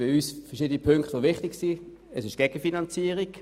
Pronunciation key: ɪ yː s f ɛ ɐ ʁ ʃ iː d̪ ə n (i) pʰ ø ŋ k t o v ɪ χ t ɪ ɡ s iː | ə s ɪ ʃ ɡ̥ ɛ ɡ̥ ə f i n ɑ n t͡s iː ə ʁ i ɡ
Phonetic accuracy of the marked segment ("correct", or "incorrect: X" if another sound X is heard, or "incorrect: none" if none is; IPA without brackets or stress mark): correct